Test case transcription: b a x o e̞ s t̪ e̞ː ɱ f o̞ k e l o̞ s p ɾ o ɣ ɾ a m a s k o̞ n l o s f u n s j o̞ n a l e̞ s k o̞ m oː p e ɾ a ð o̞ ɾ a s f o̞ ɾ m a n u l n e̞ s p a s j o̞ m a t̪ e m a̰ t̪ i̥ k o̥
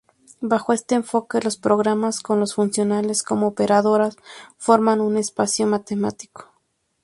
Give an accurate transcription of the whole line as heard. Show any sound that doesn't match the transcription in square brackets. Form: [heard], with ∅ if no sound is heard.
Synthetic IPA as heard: b a x o e̞ s t̪ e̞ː ɱ f o̞ k e l o̞ s p ɾ o ɣ ɾ a m a s k o̞ n l o s f u n s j o̞ n a l e̞ s k o̞ m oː p e ɾ a ð o̞ ɾ a s f o̞ ɾ m a n u [∅] n e̞ s p a s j o̞ m a t̪ e m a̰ t̪ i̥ k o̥

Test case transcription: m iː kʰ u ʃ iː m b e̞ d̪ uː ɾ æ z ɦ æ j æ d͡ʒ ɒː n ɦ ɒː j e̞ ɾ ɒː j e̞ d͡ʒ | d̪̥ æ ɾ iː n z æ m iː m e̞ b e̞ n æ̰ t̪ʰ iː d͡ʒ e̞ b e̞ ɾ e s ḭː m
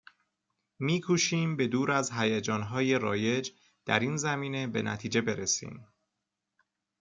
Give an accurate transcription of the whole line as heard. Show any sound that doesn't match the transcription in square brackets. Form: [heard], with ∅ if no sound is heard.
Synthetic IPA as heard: m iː kʰ u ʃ iː m b e̞ d̪ uː ɾ æ z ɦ æ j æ d͡ʒ ɒː n ɦ ɒː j e̞ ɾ ɒː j e̞ d͡ʒ | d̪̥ æ ɾ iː n z æ m iː [n] e̞ b e̞ n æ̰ t̪ʰ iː d͡ʒ e̞ b e̞ ɾ e s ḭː m

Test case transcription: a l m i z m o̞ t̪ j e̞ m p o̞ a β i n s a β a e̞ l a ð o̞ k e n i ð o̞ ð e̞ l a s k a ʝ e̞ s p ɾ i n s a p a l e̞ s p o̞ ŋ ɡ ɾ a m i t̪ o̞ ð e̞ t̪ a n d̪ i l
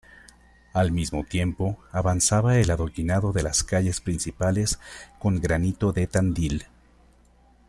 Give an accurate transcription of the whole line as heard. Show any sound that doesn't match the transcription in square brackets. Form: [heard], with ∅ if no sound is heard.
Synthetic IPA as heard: a l m i z m o̞ t̪ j e̞ m p o̞ a β [a] n s a β a e̞ l a ð o̞ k [i] n [a] ð o̞ ð e̞ l a s k a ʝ e̞ s p ɾ i n s [i] p a l e̞ s [k] o̞ ŋ ɡ ɾ a [n] i t̪ o̞ ð e̞ t̪ a n d̪ i l

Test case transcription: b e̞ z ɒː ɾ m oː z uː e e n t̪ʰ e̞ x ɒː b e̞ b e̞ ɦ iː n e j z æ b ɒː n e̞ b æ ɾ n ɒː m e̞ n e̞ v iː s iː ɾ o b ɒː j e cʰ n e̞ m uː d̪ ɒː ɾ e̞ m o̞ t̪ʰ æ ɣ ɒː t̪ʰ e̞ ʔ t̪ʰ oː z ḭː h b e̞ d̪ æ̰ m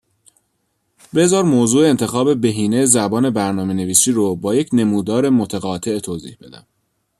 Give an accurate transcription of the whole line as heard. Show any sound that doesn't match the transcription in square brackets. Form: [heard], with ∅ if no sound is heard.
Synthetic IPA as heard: b e̞ z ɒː ɾ m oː z uː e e n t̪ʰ e̞ x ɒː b e̞ b e̞ ɦ iː n e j z æ b ɒː n e̞ b æ ɾ n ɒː m e̞ n e̞ v iː s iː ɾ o b ɒː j e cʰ n e̞ m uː d̪ ɒː ɾ e̞ m o̞ t̪ʰ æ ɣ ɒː t̪ʰ e̞ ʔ t̪ʰ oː z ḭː h b e̞ d̪ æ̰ m

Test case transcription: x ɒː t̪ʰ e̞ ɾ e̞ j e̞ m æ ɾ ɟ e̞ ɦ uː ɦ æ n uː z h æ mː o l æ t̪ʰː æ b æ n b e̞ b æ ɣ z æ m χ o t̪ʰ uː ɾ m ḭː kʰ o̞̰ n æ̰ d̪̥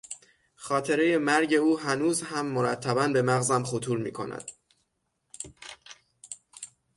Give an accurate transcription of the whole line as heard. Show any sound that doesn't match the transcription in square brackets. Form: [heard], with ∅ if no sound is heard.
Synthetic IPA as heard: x ɒː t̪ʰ e̞ ɾ e̞ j e̞ m æ ɾ ɟ e̞ [∅] uː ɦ æ n uː z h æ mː o [ɾ] æ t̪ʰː æ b æ n b e̞ [m] æ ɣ z æ m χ o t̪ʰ uː ɾ m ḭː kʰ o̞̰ n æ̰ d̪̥

